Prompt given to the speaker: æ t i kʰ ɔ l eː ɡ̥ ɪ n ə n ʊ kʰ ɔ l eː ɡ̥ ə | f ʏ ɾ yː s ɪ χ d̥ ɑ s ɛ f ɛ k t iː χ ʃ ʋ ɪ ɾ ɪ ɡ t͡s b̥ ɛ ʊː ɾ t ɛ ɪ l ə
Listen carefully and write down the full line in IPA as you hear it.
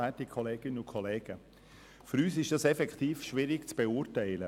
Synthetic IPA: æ t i kʰ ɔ l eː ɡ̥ ɪ n ə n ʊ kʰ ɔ l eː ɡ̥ ə | f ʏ ɾ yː s ɪ ʃ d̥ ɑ s ɛ f ɛ k t iː f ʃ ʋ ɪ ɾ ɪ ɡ t͡s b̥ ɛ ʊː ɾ t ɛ ɪ l ə